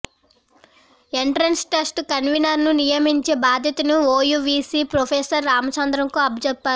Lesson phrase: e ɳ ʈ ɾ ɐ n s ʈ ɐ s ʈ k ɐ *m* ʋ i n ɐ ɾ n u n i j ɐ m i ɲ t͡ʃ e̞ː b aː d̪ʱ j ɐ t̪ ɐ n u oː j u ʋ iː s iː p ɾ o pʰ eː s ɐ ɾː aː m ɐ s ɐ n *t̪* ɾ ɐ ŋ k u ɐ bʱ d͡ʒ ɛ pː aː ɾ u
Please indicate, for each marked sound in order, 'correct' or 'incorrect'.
incorrect: n, incorrect: d̪

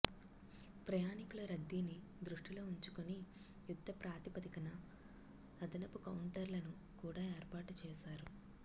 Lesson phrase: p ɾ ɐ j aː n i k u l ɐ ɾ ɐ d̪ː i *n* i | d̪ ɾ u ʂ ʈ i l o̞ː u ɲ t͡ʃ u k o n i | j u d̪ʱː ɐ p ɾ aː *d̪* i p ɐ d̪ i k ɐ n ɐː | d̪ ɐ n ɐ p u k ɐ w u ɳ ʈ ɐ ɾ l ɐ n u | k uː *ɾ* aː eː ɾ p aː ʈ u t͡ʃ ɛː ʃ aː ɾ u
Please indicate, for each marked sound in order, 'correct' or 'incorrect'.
correct, incorrect: t̪, incorrect: ɽ

